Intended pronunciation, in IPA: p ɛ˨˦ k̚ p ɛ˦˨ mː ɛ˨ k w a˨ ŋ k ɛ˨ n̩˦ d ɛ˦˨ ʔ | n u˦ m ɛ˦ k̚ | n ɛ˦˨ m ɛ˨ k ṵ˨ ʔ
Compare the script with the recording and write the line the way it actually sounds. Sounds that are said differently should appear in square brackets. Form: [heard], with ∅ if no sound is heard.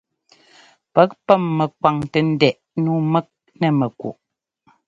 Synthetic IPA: p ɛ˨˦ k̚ p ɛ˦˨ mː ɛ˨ k w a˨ ŋ [t] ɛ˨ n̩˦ d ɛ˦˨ ʔ | n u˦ m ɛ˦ k̚ | n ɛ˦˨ m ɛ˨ k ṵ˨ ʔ